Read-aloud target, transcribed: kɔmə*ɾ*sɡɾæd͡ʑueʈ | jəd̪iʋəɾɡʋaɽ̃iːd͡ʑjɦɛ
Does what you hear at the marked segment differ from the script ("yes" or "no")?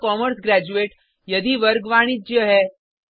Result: no